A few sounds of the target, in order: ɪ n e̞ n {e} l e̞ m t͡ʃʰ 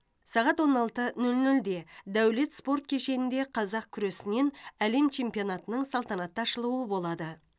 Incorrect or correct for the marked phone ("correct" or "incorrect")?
incorrect